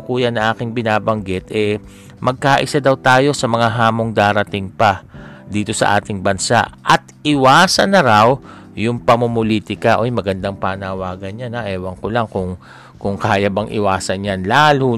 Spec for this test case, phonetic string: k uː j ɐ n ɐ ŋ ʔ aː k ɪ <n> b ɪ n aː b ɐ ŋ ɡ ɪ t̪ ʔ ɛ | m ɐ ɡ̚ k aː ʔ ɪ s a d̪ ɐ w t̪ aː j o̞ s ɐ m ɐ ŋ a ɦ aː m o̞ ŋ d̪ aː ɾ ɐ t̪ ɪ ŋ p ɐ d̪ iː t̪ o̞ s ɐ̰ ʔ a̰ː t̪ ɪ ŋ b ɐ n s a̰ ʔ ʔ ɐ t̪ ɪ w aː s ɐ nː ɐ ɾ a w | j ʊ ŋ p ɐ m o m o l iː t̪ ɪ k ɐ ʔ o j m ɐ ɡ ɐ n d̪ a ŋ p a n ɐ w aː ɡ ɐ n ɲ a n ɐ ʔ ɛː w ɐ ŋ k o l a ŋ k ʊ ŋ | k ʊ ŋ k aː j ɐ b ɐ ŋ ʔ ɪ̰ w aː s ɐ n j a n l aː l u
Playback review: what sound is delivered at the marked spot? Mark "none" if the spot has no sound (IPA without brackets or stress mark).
ŋ